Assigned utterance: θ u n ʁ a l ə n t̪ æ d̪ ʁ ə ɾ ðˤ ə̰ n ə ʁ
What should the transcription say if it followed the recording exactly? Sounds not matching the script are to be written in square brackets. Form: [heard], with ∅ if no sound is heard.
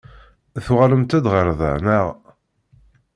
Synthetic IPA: θ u [∅] ʁ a l ə [m] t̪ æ d̪ ʁ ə ɾ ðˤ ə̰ n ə ʁ